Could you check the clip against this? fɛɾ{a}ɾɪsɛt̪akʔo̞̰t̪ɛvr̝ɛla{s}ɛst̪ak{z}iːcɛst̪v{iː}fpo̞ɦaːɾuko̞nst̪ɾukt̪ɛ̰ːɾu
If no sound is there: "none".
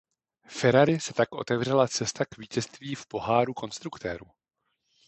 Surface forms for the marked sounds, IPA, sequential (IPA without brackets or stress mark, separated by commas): a, t͡s, v, iː